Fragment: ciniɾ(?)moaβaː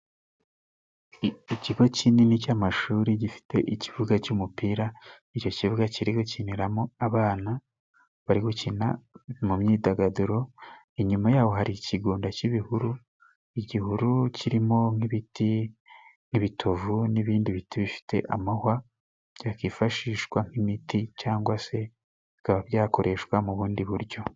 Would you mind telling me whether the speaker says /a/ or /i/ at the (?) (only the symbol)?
a